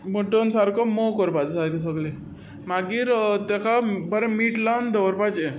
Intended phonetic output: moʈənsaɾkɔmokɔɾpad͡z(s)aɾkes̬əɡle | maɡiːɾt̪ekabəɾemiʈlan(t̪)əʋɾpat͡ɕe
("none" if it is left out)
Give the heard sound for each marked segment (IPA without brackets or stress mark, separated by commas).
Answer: s, d̪